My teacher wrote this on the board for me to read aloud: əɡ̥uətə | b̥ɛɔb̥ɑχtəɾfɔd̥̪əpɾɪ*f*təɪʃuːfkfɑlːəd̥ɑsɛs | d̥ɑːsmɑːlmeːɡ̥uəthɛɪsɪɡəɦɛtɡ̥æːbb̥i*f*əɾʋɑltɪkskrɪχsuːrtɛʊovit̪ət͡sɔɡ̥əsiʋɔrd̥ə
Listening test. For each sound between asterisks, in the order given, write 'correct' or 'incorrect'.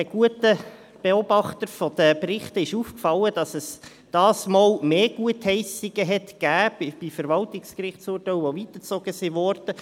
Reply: incorrect: χ, correct

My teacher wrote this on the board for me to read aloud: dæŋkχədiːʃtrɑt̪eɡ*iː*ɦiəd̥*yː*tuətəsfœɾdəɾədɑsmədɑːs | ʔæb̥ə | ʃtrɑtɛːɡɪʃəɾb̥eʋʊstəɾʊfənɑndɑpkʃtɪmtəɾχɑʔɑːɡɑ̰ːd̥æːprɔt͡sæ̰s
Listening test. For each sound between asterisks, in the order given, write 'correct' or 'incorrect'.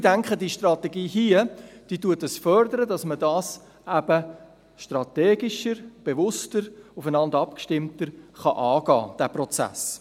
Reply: correct, incorrect: iː

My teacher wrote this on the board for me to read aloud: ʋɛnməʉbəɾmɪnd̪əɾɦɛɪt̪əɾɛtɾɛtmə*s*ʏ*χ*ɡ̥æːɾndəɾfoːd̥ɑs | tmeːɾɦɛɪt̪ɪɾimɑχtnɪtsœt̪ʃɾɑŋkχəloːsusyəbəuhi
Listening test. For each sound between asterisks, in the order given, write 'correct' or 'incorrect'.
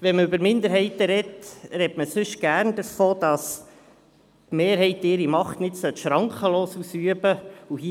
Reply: correct, incorrect: ʃ

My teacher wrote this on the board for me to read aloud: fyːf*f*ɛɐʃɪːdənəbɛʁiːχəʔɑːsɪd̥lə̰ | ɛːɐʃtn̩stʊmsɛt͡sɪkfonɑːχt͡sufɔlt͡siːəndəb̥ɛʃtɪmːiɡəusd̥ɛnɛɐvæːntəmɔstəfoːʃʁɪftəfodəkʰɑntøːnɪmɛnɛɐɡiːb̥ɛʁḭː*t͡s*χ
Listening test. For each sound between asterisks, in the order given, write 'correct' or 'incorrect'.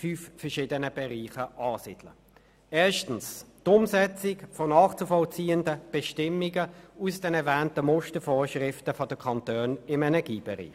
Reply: correct, incorrect: none

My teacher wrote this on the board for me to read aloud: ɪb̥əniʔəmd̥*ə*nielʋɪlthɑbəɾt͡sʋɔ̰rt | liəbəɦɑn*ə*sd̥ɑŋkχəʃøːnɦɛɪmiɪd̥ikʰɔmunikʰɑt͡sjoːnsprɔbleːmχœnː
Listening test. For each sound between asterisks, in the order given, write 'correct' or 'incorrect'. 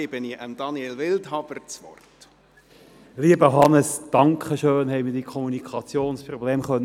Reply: incorrect: ɑ, correct

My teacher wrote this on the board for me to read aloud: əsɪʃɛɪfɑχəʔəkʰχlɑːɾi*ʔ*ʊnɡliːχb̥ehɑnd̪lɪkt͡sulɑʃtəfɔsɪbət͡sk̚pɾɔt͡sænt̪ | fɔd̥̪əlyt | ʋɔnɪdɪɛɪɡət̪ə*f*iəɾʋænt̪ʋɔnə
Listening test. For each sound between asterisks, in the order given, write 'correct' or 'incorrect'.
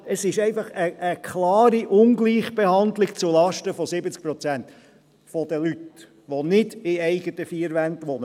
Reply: correct, correct

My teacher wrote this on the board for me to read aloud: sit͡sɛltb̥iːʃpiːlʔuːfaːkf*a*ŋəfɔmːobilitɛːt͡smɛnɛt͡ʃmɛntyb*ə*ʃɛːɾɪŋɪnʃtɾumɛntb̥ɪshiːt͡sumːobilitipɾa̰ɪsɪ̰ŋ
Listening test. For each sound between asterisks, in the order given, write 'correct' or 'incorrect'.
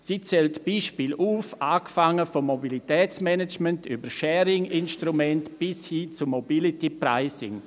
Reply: correct, correct

